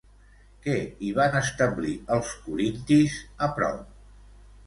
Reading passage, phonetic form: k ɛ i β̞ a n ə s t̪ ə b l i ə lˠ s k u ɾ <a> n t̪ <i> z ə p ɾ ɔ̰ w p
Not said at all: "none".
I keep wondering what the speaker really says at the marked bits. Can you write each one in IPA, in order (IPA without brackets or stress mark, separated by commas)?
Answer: i, i